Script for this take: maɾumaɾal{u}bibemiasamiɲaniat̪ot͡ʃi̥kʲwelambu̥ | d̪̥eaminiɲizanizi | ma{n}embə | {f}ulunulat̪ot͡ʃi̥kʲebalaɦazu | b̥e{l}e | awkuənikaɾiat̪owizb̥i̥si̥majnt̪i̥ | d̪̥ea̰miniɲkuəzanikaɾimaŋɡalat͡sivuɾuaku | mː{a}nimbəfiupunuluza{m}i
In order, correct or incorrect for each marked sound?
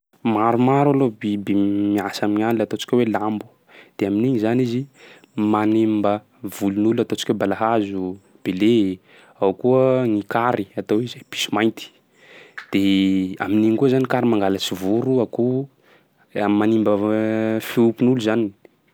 incorrect, correct, incorrect, correct, correct, incorrect

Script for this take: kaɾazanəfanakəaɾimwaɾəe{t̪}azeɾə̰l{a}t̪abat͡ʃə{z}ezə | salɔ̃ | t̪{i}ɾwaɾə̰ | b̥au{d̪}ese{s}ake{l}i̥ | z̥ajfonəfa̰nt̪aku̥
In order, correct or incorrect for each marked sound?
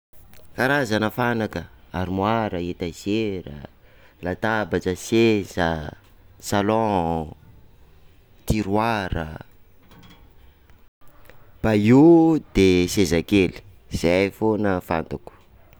correct, correct, incorrect, correct, correct, incorrect, correct

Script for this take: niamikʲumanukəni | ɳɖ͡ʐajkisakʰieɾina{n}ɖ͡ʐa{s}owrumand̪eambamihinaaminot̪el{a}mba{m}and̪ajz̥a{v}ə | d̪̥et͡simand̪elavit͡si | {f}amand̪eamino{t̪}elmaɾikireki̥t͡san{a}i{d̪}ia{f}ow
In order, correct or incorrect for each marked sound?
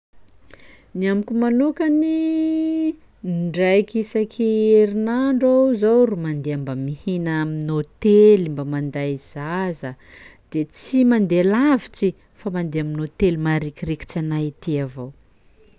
incorrect, incorrect, incorrect, correct, incorrect, correct, correct, correct, incorrect, incorrect

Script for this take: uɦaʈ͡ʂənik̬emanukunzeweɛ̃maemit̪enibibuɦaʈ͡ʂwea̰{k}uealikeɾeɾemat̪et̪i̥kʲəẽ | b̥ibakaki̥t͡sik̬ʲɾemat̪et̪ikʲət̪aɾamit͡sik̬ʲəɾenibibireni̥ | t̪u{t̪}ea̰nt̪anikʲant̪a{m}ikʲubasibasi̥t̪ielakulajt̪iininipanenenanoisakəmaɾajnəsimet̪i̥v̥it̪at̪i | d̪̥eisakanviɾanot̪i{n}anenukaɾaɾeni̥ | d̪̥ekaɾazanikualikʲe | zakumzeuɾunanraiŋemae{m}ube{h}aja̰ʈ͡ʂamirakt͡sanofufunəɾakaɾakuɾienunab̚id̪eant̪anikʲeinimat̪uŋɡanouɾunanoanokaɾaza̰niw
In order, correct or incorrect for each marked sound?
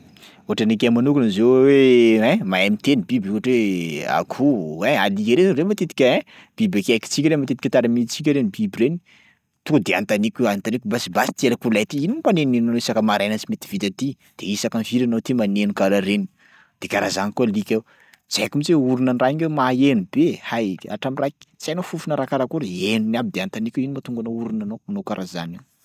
incorrect, incorrect, incorrect, incorrect, incorrect, correct

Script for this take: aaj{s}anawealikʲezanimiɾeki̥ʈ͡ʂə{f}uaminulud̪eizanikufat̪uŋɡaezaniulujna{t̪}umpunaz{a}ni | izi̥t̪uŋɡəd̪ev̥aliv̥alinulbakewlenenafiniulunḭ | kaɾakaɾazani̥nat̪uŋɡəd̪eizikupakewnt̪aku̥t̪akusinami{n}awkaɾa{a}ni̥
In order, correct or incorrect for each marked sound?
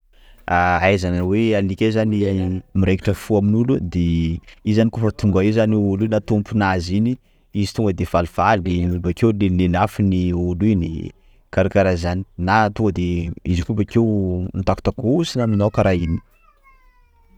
incorrect, correct, correct, incorrect, correct, incorrect

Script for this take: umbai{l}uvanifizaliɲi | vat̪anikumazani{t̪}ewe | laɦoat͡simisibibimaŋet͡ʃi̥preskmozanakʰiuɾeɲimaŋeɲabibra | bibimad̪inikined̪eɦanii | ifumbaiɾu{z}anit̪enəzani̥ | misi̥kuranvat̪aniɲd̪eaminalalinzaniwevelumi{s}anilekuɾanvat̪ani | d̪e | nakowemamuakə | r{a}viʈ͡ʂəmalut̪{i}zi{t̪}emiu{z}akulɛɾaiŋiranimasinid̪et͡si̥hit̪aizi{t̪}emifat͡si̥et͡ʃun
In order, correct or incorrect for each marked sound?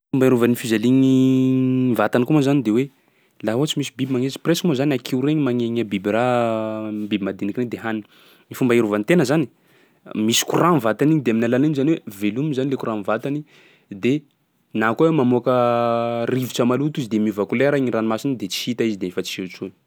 incorrect, incorrect, incorrect, incorrect, incorrect, correct, incorrect, incorrect, incorrect

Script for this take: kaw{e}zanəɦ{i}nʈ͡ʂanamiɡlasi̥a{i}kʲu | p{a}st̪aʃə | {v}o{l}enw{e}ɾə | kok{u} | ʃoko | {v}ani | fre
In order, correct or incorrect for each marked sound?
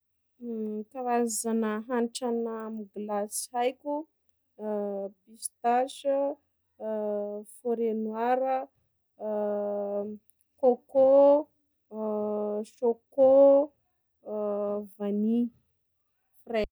incorrect, incorrect, incorrect, incorrect, incorrect, incorrect, incorrect, incorrect, correct

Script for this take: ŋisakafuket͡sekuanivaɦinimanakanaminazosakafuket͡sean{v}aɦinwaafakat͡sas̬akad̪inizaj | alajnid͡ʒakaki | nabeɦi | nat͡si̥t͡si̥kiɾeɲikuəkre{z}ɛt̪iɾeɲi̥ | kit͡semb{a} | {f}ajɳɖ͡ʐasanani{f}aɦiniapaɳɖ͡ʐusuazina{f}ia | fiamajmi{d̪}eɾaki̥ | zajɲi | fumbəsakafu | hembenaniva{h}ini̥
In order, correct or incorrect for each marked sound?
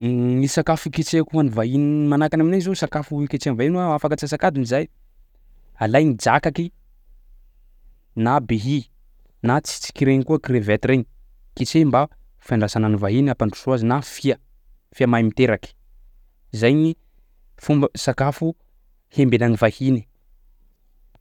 correct, incorrect, correct, correct, incorrect, correct, incorrect, correct

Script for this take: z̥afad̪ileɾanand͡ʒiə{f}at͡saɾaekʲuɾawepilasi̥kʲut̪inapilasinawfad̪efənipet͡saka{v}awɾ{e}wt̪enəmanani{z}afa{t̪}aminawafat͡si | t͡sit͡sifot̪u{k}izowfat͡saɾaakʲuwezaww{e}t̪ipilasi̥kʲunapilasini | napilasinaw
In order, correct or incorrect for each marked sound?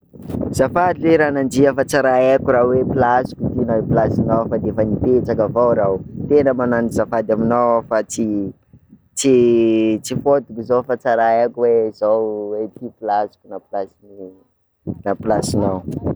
correct, correct, incorrect, correct, incorrect, correct, correct

